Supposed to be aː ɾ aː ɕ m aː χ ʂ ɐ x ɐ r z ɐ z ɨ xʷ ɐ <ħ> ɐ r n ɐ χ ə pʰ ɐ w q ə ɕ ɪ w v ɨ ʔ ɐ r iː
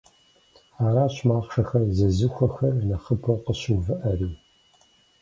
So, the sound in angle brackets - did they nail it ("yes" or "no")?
no